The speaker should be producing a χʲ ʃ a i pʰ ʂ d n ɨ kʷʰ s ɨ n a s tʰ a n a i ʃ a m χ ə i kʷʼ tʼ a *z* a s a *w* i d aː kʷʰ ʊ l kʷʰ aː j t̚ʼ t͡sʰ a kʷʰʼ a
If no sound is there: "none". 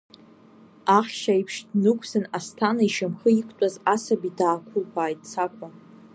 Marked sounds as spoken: z, b

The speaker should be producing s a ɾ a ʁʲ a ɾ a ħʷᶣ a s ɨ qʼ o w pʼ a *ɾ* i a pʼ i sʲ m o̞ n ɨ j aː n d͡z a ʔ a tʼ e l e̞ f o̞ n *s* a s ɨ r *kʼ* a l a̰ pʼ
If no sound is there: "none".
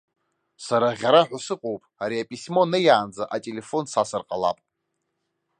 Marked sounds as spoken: ɾ, s, qʼ

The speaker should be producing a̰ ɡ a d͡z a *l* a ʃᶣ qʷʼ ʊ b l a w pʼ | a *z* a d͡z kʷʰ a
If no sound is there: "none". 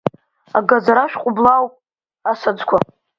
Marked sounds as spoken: ɾ, s

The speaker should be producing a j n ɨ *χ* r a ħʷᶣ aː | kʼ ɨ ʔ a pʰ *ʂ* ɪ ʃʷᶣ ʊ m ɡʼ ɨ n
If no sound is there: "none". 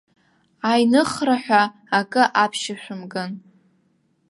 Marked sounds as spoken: χ, ʃ

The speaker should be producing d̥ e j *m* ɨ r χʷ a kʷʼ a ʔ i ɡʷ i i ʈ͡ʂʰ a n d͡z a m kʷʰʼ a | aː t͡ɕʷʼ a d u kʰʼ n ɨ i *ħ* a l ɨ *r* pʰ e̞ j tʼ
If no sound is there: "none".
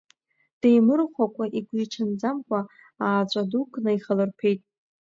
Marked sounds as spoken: m, χ, r

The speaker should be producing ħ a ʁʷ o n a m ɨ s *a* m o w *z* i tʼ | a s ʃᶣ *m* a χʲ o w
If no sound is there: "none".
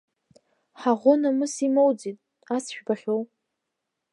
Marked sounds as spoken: i, d͡z, b

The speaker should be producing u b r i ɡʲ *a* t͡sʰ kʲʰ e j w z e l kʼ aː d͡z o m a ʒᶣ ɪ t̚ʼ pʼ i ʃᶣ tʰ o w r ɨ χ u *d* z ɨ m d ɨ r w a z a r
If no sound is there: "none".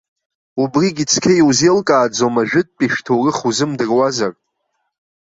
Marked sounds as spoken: i, none

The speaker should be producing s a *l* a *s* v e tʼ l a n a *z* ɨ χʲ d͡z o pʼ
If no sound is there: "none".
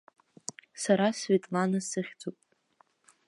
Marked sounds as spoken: ɾ, s, s

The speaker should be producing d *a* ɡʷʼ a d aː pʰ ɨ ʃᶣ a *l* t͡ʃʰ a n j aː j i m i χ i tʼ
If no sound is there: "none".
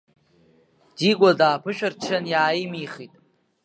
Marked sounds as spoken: i, r

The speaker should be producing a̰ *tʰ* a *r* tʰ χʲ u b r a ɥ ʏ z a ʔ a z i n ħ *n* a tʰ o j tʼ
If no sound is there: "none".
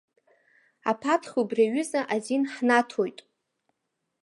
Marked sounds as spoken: pʰ, none, n

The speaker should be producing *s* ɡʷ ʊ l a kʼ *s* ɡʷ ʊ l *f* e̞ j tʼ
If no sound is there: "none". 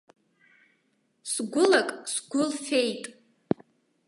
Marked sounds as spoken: s, s, f

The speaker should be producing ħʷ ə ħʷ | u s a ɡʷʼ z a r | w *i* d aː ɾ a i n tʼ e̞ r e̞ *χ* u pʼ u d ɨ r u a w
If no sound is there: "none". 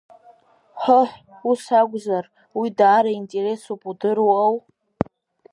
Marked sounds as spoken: i, s

